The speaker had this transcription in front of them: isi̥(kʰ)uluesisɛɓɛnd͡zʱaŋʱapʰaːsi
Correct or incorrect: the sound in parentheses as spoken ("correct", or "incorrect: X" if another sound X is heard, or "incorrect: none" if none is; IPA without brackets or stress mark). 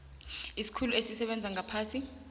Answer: correct